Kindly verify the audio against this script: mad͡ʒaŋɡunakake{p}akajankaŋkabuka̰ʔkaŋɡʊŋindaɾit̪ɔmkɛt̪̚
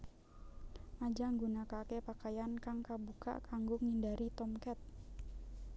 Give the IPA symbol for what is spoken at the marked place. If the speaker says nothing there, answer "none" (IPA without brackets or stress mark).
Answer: p